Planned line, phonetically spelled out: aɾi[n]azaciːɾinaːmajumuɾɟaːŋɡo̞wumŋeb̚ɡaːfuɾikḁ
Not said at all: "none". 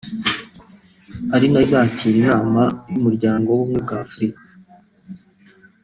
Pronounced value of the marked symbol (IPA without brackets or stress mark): n